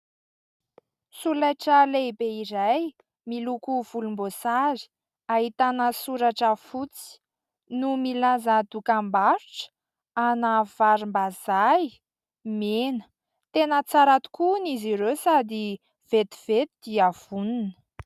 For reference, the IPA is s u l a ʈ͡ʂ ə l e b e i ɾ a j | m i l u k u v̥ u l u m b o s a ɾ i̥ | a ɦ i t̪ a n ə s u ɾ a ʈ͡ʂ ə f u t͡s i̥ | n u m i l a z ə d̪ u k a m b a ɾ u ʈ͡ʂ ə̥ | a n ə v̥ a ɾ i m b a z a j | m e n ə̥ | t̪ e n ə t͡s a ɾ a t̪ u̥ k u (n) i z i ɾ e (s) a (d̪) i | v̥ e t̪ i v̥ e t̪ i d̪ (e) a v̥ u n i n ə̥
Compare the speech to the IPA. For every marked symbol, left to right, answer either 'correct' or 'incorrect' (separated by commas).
correct, correct, correct, incorrect